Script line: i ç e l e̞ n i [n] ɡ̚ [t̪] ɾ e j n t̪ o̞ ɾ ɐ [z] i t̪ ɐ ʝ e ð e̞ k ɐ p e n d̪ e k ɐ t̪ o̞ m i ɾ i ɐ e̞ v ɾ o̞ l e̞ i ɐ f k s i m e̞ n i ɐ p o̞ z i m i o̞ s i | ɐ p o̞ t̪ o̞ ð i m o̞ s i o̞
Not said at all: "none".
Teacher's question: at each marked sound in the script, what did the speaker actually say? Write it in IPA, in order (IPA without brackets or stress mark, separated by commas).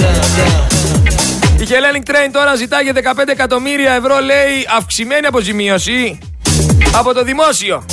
ŋ, t̪, z